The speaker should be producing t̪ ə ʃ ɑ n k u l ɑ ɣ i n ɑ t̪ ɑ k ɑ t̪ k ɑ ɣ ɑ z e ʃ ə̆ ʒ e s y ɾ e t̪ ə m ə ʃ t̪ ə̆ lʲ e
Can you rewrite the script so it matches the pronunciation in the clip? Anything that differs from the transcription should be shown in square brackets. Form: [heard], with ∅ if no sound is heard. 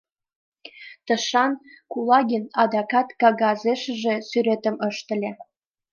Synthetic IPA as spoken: t̪ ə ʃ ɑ n k u l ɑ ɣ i n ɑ [d̪] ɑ k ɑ t̪ k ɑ ɣ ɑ z e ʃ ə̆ ʒ e s y ɾ e t̪ ə m ə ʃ t̪ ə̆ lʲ e

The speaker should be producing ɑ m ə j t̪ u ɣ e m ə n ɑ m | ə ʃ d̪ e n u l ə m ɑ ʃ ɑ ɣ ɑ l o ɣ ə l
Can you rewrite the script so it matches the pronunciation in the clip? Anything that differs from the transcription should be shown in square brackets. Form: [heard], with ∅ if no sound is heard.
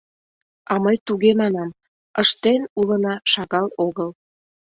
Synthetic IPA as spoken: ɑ m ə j t̪ u ɣ e m [ɑ] n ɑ m | ə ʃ [t̪] e n u l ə [n] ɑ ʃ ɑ ɣ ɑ l o ɣ ə l

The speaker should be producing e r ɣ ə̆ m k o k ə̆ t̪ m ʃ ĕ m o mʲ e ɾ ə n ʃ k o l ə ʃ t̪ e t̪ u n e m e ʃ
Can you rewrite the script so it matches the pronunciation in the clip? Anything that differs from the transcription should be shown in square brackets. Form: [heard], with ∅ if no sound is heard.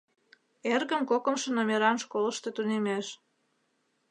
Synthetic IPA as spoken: e r ɣ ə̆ m k o k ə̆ [∅] m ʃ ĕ [n] o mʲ e ɾ [ɑ] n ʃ k o l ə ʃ t̪ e t̪ u n e m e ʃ

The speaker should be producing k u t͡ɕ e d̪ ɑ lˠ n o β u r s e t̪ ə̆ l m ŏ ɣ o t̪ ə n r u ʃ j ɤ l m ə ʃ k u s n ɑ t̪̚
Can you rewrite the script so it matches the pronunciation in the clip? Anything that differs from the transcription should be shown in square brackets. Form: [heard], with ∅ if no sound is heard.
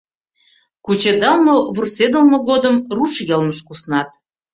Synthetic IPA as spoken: k u t͡ɕ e d̪ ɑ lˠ [m] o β u r s e [d̪] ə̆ l m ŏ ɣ o [d̪] ə [m] r u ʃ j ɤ l m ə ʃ k u s n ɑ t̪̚

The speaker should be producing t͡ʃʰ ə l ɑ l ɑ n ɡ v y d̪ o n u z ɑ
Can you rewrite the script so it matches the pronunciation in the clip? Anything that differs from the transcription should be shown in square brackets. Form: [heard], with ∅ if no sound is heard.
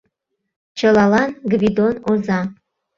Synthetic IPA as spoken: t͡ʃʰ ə l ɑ l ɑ n ɡ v [i] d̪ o n [o] z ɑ

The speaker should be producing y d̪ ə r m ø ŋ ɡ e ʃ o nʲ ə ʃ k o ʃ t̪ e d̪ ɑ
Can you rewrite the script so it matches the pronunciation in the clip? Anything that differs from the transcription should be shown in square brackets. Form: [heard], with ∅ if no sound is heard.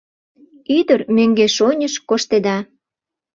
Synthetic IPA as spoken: y d̪ ə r m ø ŋ ɡ e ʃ o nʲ ə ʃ k o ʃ t̪ e d̪ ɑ

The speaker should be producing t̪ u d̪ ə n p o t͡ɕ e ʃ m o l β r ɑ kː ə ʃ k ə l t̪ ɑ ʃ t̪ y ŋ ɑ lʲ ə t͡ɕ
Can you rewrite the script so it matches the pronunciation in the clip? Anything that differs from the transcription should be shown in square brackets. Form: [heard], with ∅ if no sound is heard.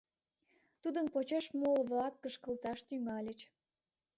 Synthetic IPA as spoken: t̪ u d̪ ə n p o t͡ɕ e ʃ m o l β [l] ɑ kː ə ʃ k ə l t̪ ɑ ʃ t̪ y ŋ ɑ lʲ ə t͡ɕ

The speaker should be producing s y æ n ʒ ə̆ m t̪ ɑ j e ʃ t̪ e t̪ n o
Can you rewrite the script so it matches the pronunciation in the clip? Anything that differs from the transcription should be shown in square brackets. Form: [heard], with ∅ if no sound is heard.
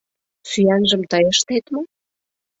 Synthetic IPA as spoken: s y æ n ʒ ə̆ m t̪ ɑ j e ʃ t̪ e t̪ [m] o

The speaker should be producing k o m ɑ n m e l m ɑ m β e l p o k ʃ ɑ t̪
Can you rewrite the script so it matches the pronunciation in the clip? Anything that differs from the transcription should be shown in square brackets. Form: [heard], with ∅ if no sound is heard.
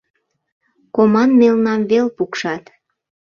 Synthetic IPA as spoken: k o m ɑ n m e l [n] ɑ m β e l p [u] k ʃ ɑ t̪

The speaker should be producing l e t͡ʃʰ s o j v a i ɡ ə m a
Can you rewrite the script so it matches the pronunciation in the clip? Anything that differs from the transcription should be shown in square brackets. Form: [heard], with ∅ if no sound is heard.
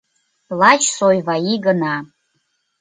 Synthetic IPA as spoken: l [a] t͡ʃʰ s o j v a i ɡ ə [n] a

